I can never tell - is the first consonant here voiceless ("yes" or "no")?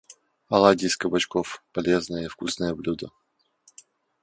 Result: no